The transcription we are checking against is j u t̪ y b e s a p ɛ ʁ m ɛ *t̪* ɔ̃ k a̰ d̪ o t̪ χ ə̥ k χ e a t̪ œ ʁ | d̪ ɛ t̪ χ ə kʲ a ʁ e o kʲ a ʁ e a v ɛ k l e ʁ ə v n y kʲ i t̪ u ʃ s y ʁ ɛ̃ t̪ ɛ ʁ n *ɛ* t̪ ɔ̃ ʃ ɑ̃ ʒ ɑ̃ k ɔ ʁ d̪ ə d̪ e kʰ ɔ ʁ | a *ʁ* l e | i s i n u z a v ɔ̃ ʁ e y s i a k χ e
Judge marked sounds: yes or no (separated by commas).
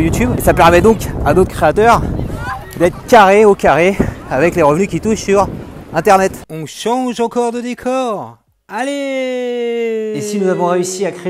no, yes, no